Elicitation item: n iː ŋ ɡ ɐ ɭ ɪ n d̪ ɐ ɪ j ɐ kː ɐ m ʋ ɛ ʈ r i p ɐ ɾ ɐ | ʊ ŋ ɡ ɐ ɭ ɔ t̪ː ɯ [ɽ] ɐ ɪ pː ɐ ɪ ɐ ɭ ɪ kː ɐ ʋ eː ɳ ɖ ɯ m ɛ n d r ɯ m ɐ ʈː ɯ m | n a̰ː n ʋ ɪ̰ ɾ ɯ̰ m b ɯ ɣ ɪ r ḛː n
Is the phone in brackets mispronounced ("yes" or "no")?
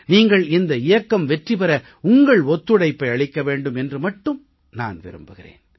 no